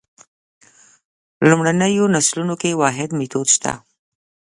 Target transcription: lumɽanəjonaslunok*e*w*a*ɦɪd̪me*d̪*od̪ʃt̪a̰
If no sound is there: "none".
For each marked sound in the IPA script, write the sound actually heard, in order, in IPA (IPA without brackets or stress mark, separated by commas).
e, ɑ, t̪